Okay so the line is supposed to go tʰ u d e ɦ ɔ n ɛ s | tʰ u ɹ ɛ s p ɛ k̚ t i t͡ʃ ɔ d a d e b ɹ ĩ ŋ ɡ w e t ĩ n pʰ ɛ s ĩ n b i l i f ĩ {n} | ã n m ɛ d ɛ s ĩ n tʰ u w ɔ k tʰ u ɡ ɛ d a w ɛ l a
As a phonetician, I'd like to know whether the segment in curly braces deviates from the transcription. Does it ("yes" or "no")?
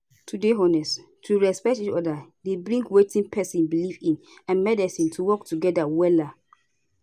no